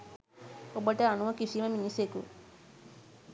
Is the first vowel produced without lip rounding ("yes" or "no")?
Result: no